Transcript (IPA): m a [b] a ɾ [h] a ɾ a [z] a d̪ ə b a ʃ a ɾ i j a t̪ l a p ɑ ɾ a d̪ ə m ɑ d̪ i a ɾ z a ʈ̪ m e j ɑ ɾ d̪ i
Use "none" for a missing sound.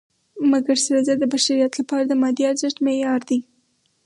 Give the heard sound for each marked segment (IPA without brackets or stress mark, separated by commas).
ɡ, s, z